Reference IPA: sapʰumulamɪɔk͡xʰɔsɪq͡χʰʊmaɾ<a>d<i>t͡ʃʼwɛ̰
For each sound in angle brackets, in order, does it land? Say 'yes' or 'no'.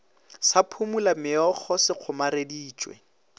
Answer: no, no

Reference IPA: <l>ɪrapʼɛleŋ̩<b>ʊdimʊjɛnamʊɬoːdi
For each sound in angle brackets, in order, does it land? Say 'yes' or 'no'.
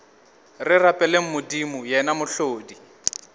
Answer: no, no

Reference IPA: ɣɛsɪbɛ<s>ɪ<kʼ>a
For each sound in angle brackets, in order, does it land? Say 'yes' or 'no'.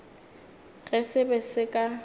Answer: yes, yes

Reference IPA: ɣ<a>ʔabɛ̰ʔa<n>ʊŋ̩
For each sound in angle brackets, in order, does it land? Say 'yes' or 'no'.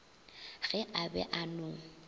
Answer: no, yes

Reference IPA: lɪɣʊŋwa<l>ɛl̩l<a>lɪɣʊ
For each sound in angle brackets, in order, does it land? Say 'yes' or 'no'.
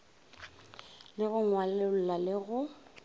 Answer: yes, yes

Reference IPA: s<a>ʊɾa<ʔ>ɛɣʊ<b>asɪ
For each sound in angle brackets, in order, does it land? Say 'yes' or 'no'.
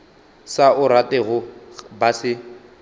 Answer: yes, no, yes

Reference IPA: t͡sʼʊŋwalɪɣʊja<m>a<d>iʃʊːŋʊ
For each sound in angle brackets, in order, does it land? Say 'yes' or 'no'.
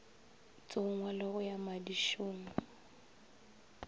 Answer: yes, yes

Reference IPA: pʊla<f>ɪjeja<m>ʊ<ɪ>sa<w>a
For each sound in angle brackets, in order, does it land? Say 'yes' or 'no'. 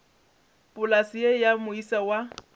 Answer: no, yes, no, yes

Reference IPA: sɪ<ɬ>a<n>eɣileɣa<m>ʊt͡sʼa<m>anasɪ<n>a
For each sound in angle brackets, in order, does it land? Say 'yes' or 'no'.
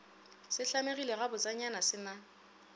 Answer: yes, no, no, no, yes

